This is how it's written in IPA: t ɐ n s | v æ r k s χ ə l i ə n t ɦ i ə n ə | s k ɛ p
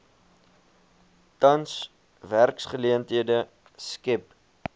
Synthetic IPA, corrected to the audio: t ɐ n s | v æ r k s χ ə l i ə n t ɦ i ə d ə | s k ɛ p